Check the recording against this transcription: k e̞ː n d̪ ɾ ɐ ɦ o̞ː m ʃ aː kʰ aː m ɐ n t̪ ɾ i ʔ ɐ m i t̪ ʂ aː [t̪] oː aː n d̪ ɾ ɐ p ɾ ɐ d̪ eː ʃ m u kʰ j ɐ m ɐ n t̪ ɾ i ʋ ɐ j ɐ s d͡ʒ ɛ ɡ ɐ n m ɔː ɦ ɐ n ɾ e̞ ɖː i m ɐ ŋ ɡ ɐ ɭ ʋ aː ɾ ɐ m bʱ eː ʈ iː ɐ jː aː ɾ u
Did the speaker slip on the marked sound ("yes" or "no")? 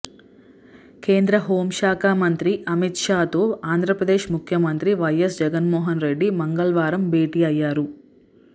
no